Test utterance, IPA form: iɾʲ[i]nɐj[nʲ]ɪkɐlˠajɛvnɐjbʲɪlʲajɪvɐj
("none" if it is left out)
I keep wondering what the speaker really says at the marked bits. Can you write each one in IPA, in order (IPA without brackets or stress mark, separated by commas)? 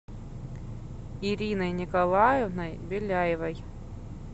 i, nʲ